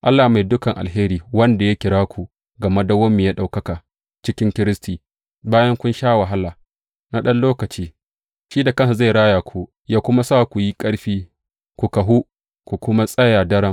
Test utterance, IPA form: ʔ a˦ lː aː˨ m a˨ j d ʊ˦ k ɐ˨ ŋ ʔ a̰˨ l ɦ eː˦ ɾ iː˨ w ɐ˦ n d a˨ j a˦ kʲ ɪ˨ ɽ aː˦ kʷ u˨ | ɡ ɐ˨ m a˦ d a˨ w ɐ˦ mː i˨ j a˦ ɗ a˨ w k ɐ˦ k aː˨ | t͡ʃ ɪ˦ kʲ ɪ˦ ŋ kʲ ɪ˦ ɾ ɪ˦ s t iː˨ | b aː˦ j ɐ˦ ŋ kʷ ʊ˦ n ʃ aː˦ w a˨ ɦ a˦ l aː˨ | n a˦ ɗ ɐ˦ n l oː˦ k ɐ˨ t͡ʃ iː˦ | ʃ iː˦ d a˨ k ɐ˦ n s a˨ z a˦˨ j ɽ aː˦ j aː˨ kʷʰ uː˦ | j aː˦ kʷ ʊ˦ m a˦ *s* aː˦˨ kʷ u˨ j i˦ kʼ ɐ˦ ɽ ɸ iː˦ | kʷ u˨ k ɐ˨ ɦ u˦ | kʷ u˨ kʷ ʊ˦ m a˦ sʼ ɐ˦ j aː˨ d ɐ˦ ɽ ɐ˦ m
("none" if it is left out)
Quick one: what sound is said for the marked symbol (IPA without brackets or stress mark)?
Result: s